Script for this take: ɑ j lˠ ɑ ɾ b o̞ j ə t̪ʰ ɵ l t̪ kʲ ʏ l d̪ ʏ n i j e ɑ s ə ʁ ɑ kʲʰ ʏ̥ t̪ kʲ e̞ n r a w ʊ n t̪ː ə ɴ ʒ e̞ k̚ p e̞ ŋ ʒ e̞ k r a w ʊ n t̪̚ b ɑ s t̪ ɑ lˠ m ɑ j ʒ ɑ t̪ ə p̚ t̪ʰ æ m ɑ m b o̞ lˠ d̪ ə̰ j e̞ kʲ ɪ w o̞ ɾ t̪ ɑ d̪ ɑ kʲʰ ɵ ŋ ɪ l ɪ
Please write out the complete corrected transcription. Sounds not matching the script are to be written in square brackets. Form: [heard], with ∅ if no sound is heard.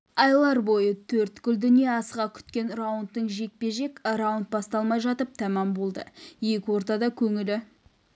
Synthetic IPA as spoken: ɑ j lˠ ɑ ɾ b o̞ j ə t̪ʰ ɵ [ɾ] t̪ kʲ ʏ l d̪ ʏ n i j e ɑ s ə ʁ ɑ kʲʰ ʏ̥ t̪ kʲ e̞ n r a w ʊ n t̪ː ə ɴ ʒ e̞ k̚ p e̞ [∅] ʒ e̞ k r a w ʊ n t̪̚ b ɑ s t̪ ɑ lˠ m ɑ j ʒ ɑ t̪ ə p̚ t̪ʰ æ m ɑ m b o̞ lˠ d̪ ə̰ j e̞ kʲ ɪ w o̞ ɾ t̪ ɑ d̪ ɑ kʲʰ ɵ ŋ ɪ l ɪ

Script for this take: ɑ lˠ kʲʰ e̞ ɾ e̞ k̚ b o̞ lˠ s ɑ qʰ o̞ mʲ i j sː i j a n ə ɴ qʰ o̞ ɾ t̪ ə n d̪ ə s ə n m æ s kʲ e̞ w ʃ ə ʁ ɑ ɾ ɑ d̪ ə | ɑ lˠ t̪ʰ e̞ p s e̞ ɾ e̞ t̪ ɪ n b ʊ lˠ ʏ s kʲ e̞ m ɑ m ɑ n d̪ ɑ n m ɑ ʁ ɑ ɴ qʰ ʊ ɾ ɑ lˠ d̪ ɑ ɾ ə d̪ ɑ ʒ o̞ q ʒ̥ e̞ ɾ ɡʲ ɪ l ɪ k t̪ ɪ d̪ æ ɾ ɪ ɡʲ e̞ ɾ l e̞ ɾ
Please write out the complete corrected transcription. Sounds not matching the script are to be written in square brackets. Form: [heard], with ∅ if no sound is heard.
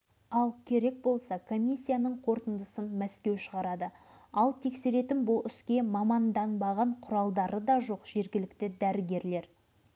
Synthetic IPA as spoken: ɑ lˠ kʲʰ e̞ ɾ e̞ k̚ b o̞ lˠ s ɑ [kʰ] o̞ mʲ i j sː i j a n ə ɴ qʰ o̞ ɾ t̪ ə n d̪ ə s ə n m æ s kʲ e̞ w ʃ ə ʁ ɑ ɾ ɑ d̪ ə | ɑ lˠ t̪ʰ e̞ [k] s e̞ ɾ e̞ t̪ ɪ n b ʊ lˠ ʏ s kʲ e̞ m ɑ m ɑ n d̪ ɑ n [b] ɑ ʁ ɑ ɴ qʰ ʊ ɾ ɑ lˠ d̪ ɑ ɾ ə d̪ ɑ ʒ o̞ q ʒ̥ e̞ ɾ ɡʲ ɪ l ɪ k t̪ ɪ d̪ æ ɾ ɪ ɡʲ e̞ ɾ l e̞ ɾ

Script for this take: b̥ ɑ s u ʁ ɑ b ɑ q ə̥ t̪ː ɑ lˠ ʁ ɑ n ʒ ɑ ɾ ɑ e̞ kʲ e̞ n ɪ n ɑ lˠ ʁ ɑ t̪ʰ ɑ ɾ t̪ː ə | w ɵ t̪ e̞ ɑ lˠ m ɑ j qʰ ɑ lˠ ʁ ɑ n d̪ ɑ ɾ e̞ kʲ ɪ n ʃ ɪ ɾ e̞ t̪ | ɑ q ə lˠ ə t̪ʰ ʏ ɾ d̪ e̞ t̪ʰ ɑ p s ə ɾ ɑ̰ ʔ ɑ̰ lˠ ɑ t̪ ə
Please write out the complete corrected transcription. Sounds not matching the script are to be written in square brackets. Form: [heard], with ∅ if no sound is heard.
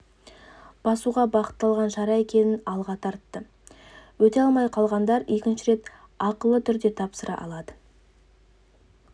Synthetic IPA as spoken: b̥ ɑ s u ʁ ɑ b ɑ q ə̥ t̪ː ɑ lˠ ʁ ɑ n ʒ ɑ ɾ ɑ e̞ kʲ e̞ n ɪ n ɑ lˠ ʁ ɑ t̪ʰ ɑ ɾ t̪ː ə | w ɵ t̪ e̞ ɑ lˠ m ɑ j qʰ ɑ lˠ ʁ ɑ n d̪ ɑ ɾ e̞ kʲ ɪ n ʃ ɪ ɾ e̞ t̪ | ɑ q ə lˠ ə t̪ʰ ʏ ɾ d̪ e̞ t̪ʰ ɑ p s ə ɾ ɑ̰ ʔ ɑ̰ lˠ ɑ [d̪] ə

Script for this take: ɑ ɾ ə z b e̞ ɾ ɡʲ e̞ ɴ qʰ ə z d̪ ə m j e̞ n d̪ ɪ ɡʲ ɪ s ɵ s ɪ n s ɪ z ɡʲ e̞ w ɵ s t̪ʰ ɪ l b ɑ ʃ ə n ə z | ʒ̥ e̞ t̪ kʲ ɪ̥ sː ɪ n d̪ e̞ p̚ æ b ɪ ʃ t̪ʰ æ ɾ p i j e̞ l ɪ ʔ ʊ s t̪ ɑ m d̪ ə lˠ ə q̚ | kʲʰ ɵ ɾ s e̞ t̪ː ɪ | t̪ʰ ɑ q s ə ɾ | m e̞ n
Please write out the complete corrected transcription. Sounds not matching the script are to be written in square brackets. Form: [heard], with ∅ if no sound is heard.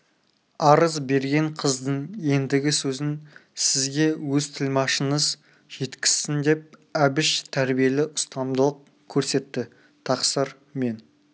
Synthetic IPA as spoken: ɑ ɾ ə z b e̞ ɾ ɡʲ e̞ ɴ qʰ ə z d̪ ə [ɴ] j e̞ n d̪ ɪ ɡʲ ɪ s ɵ [z] ɪ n s ɪ z ɡʲ e̞ w ɵ [z] t̪ʰ ɪ l [m] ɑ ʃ ə n ə z | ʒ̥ e̞ t̪ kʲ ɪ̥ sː ɪ n d̪ e̞ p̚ æ b ɪ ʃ t̪ʰ æ ɾ [b] i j e̞ l ɪ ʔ ʊ s t̪ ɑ m d̪ ə lˠ ə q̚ | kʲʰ ɵ ɾ s e̞ t̪ː ɪ | t̪ʰ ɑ q s ə ɾ | m e̞ n

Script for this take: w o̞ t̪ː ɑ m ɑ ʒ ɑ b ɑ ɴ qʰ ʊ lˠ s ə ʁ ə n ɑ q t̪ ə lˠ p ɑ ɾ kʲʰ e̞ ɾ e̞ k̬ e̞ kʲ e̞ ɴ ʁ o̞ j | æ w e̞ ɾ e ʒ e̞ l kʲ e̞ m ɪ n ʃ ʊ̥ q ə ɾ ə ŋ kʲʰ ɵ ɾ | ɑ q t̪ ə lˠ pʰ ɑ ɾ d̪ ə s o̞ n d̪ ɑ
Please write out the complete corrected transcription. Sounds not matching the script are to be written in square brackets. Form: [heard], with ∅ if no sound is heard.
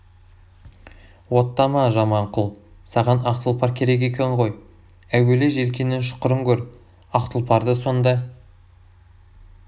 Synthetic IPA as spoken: w o̞ t̪ː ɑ m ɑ ʒ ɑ [m] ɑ ɴ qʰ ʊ lˠ s [ɑ] ʁ [ɑ] n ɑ q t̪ ə lˠ p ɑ ɾ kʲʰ e̞ ɾ e̞ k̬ e̞ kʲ e̞ ɴ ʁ o̞ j | æ w e̞ [l] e ʒ e̞ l kʲ e̞ [n] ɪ n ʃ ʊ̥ q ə ɾ ə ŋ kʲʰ ɵ ɾ | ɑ q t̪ ə lˠ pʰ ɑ ɾ d̪ ə s o̞ n d̪ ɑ

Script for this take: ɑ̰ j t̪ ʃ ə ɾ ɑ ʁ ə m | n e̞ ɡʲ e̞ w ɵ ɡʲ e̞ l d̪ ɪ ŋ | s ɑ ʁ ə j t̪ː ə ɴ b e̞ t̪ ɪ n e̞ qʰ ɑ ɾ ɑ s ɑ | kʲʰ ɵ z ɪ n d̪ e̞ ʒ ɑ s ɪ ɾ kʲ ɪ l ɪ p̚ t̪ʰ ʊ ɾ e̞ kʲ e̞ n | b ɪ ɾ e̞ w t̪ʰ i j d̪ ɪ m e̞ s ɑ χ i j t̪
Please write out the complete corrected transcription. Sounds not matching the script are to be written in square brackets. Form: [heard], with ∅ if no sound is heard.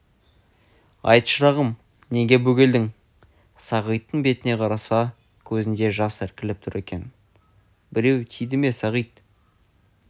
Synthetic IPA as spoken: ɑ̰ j t̪ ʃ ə ɾ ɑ ʁ ə m | n e̞ ɡʲ e̞ [b] ɵ ɡʲ e̞ l d̪ ɪ ŋ | s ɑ ʁ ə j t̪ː ə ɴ b e̞ t̪ ɪ n e̞ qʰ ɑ ɾ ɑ s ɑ | kʲʰ ɵ z ɪ n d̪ e̞ ʒ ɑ s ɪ ɾ kʲ ɪ l ɪ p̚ t̪ʰ ʊ ɾ e̞ kʲ e̞ n | b ɪ ɾ e̞ w t̪ʰ i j d̪ ɪ m e̞ s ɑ [ʁ] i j t̪

